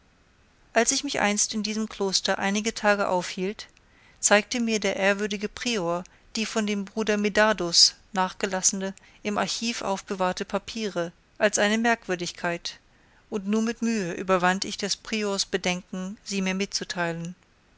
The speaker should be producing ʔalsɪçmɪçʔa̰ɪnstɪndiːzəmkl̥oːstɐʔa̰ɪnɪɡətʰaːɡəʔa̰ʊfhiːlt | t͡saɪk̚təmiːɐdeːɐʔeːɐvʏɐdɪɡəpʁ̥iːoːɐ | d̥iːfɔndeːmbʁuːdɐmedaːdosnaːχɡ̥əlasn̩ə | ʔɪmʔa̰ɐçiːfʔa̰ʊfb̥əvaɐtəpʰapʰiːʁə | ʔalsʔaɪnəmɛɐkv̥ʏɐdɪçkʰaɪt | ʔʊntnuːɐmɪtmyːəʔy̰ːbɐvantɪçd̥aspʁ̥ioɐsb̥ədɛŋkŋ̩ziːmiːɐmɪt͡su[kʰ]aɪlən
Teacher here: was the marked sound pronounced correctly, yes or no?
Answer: no